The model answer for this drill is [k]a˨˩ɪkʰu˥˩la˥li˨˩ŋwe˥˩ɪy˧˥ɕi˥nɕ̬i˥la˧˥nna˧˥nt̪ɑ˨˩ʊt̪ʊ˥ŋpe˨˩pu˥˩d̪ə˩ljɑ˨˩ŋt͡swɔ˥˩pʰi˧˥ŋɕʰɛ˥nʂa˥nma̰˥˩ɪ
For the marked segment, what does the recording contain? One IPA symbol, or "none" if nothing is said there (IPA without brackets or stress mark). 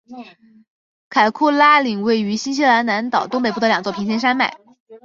kʰ